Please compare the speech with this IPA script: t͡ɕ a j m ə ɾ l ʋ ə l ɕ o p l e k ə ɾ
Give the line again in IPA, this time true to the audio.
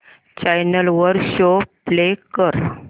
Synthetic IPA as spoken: t͡ɕ a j n ə l ʋ ə ɾ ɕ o p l e k ə ɾ